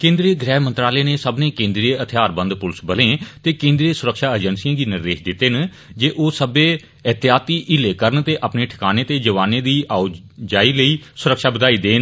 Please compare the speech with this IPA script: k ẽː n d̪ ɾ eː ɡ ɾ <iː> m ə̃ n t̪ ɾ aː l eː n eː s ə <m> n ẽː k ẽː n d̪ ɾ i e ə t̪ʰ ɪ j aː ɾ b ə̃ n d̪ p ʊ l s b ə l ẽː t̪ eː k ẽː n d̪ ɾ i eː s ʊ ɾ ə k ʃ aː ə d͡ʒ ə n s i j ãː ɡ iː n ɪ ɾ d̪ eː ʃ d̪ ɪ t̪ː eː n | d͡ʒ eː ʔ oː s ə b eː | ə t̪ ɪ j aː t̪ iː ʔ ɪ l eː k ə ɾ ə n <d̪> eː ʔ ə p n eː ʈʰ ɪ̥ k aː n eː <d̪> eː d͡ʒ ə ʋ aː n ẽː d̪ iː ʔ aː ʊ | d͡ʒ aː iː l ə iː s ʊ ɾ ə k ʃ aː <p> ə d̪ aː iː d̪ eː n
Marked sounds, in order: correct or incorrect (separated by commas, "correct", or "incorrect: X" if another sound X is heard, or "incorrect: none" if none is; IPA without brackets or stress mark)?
incorrect: ɛː, incorrect: b, incorrect: t̪, incorrect: t̪, incorrect: b